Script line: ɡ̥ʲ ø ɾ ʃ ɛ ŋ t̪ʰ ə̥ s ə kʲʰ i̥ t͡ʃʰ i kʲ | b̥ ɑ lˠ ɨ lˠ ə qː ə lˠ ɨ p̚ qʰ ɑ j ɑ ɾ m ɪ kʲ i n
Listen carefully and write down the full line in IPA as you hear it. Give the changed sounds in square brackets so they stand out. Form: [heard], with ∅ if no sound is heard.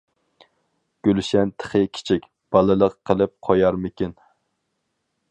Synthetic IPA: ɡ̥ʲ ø [l] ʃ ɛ [n] t̪ʰ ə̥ [χ] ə kʲʰ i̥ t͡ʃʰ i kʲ | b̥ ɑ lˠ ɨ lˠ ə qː ə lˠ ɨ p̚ qʰ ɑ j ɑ ɾ m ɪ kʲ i n